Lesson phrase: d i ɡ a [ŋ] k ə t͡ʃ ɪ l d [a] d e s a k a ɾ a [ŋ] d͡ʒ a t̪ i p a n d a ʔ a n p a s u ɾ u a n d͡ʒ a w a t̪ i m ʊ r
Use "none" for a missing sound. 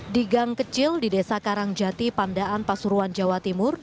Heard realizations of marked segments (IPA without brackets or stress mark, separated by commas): ŋ, i, ŋ